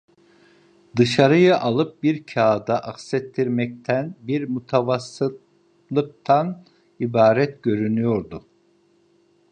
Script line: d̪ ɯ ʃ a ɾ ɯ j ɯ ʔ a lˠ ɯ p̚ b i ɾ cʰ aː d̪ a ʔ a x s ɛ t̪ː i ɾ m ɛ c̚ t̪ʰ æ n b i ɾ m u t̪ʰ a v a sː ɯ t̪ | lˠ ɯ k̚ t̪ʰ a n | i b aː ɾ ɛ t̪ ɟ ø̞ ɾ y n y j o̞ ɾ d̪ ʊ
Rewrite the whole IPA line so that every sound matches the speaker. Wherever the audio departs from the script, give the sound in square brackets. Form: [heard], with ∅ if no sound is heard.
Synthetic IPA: d̪ ɯ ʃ a ɾ ɯ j ɯ ʔ a lˠ ɯ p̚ b i ɾ cʰ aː d̪ a ʔ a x s ɛ t̪ː i ɾ m ɛ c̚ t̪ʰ æ n b i ɾ m u t̪ʰ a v a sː ɯ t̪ | lˠ ɯ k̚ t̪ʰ a n | i b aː ɾ ɛ t̪ ɟ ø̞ ɾ y n y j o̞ ɾ d̪ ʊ